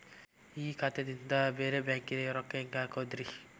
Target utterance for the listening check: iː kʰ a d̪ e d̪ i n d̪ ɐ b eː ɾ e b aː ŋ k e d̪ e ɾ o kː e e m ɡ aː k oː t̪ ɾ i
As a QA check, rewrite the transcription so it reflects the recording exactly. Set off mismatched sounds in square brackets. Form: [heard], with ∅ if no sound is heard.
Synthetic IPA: iː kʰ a [t̪] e d̪ i n d̪ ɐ b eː ɾ e b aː ŋ k [i] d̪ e ɾ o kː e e [ŋ] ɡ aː k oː [d̪] ɾ i